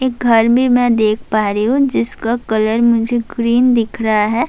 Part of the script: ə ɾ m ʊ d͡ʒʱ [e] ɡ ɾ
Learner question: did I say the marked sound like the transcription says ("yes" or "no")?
yes